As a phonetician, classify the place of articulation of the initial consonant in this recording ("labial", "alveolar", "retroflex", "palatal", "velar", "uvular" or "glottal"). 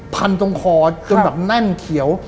labial